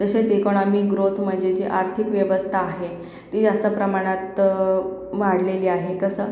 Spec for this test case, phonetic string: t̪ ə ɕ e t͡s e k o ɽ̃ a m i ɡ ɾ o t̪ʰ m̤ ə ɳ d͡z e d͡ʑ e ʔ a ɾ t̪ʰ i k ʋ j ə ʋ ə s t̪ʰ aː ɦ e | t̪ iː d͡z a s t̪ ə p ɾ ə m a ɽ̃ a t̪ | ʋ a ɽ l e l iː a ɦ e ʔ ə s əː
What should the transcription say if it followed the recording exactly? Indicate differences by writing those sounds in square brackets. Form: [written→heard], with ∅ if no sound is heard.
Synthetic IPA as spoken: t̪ ə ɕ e t͡s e k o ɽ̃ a m i ɡ ɾ o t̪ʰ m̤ ə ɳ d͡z e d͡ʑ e ʔ a ɾ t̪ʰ i k ʋ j ə ʋ ə s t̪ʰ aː ɦ e | t̪ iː d͡z a s t̪ ə p ɾ ə m a ɽ̃ a t̪ | ʋ a ɽ l e l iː a ɦ e [ʔ→k] ə s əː